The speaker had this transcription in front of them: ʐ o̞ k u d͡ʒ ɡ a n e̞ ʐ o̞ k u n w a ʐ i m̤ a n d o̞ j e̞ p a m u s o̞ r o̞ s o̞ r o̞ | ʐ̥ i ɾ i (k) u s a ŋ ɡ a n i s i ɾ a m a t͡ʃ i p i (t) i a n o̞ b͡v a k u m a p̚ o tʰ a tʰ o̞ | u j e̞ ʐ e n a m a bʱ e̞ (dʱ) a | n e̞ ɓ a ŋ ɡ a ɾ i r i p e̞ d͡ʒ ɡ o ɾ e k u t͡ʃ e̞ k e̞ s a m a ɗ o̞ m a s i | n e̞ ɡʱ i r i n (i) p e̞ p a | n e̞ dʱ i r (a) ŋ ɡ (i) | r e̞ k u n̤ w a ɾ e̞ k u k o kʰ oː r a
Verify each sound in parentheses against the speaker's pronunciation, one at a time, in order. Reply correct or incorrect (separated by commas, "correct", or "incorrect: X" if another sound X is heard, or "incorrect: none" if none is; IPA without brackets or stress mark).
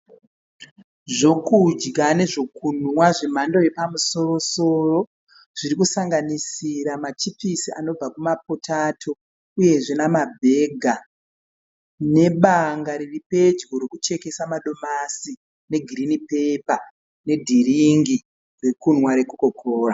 correct, incorrect: s, incorrect: ɡʱ, correct, incorrect: i, correct